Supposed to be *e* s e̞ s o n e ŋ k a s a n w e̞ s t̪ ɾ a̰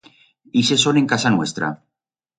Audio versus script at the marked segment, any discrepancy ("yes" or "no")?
yes